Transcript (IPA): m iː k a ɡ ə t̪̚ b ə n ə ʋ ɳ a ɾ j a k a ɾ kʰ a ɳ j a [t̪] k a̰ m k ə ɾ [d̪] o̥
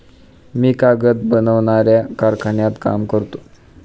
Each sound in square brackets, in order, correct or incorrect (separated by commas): correct, incorrect